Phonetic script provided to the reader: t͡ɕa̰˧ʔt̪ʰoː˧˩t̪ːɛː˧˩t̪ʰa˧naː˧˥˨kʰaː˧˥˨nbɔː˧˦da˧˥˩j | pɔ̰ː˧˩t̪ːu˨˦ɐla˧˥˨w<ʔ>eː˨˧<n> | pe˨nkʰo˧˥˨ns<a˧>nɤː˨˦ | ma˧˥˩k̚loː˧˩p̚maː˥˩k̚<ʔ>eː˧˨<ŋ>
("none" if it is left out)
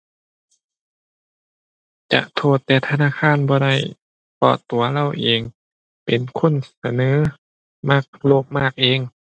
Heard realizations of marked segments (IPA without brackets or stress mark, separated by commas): ʔ, ŋ, a˧, ʔ, ŋ